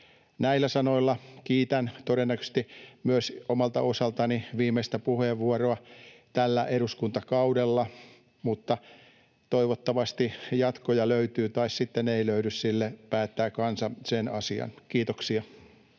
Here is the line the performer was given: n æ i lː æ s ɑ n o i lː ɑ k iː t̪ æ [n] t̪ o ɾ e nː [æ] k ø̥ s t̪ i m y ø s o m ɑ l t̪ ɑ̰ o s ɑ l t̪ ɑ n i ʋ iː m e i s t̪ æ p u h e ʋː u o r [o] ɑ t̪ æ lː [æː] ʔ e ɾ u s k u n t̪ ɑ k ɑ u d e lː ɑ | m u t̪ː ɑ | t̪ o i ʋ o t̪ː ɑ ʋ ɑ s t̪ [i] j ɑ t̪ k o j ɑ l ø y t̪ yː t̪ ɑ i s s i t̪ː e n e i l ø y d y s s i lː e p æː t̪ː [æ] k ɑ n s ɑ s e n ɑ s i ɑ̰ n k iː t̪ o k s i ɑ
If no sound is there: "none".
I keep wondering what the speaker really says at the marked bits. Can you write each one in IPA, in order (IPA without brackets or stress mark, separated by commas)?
n, æ, o, æ, i, æː